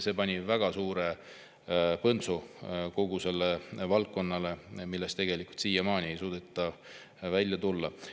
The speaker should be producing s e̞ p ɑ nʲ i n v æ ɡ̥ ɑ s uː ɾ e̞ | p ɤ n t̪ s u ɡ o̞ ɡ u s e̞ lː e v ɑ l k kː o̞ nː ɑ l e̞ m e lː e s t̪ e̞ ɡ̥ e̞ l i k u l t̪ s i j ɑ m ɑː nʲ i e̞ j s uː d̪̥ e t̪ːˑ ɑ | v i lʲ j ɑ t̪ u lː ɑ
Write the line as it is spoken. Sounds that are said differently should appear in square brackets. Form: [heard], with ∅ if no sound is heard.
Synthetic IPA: s e̞ p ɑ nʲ i [∅] v æ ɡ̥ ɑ s uː ɾ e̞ | p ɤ n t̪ s u [k] o̞ ɡ u s e̞ lː e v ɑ l k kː o̞ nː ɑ l e̞ m [i] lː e s t̪ e̞ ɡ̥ e̞ l i k u l t̪ s [iː] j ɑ m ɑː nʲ i e̞ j s uː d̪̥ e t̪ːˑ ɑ | v [æ] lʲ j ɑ t̪ u lː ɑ